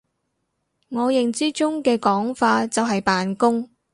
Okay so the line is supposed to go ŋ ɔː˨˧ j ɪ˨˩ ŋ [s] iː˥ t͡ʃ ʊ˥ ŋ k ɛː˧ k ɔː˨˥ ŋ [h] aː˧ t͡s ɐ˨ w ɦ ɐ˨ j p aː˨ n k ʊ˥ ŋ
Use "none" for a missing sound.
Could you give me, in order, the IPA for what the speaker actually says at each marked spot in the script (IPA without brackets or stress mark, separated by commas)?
t͡s, f